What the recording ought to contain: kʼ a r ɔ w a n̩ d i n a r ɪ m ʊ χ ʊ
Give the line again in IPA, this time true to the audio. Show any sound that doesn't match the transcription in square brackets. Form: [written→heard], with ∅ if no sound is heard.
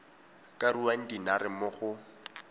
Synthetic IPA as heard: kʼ a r [ɔ→u] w a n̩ d i n a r ɪ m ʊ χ ʊ